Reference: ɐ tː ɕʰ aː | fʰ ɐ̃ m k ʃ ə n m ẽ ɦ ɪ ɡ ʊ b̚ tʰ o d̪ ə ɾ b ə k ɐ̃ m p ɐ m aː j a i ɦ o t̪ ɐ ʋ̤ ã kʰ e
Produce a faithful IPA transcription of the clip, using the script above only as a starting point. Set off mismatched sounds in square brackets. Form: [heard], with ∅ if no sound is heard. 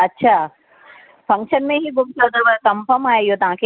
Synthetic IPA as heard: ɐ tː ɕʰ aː | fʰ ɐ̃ [ŋ] k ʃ ə n m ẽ ɦ [i] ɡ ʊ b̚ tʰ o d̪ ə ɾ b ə k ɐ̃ m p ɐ m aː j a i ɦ o t̪ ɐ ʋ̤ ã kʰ e

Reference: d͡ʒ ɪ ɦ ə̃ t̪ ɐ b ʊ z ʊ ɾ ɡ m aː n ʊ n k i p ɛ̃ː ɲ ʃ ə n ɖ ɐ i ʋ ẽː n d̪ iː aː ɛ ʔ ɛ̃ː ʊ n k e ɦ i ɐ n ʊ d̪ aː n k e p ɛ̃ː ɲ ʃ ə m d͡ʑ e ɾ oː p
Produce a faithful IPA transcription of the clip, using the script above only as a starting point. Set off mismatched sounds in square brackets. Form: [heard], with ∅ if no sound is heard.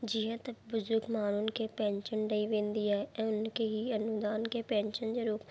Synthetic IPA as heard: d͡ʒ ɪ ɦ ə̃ t̪ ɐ b ʊ z ʊ ɾ ɡ m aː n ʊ n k [e] p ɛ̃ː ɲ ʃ ə n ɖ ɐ i ʋ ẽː n d̪ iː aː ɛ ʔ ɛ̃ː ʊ n k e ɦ i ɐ n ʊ d̪ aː n k e p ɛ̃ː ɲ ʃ ə [n] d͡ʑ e ɾ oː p

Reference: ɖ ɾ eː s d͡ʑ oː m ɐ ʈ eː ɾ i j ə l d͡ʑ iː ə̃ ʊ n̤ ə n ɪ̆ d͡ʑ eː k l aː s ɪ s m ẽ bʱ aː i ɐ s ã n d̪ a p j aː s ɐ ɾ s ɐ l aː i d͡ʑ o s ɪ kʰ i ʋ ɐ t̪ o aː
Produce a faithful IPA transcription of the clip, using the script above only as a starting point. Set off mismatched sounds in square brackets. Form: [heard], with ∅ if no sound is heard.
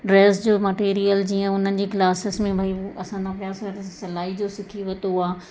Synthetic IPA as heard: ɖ ɾ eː s d͡ʑ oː m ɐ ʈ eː ɾ i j ə l d͡ʑ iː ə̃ ʊ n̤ ə n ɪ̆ d͡ʑ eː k l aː s ɪ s m ẽ bʱ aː i ɐ s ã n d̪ a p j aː s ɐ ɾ s ɐ l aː i d͡ʑ o s ɪ kʰ i ʋ ɐ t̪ o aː

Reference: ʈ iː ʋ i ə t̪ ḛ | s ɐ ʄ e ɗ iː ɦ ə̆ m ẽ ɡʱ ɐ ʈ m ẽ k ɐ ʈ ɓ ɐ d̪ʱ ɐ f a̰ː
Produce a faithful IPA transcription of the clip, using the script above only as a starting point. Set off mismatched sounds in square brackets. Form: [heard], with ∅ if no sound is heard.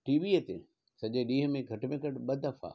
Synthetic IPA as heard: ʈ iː ʋ i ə t̪ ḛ | s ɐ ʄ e ɗ iː ɦ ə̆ m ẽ ɡʱ ɐ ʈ m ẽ k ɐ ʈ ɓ ɐ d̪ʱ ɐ f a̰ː

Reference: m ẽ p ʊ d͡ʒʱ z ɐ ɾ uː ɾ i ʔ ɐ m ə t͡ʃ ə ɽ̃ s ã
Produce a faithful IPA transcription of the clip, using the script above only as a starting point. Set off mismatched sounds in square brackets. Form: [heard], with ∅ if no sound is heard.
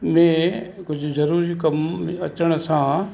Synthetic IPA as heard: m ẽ [k] ʊ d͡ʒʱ z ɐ ɾ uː ɾ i [k] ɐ m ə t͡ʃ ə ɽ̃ s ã

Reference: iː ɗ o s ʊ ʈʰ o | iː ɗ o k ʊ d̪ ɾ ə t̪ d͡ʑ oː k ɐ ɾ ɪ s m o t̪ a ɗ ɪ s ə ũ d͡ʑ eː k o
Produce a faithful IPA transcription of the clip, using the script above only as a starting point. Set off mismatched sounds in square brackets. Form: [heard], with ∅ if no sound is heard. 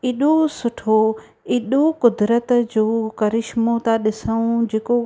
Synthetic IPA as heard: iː ɗ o s ʊ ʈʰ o | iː ɗ o k ʊ d̪ ɾ ə t̪ d͡ʑ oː k ɐ ɾ ɪ [ʃ] m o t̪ a ɗ ɪ s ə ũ d͡ʑ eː k o

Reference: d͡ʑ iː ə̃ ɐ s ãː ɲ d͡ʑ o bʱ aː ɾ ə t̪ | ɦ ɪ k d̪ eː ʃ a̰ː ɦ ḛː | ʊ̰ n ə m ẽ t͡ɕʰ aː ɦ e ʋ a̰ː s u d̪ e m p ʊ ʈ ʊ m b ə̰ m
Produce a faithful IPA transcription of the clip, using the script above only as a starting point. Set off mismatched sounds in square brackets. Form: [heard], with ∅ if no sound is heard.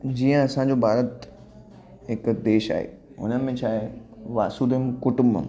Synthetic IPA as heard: d͡ʑ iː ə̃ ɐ s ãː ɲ d͡ʑ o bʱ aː ɾ ə t̪ | ɦ ɪ k d̪ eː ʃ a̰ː ɦ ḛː | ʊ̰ n ə m ẽ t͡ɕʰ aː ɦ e ʋ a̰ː s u d̪ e m [k] ʊ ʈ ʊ m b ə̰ m

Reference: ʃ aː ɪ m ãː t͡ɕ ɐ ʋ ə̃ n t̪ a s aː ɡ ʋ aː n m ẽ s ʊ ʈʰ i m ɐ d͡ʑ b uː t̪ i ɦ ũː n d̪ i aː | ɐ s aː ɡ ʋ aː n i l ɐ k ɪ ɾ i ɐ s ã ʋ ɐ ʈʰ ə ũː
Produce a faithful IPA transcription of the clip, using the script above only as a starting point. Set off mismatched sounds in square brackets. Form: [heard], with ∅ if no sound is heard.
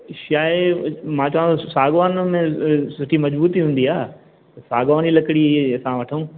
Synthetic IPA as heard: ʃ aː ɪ m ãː t͡ɕ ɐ ʋ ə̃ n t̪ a s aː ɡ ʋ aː n m ẽ s ʊ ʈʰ i m ɐ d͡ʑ b uː t̪ i ɦ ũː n d̪ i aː | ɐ s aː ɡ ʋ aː n i l ɐ k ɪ [ɽ] i ɐ s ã ʋ ɐ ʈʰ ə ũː

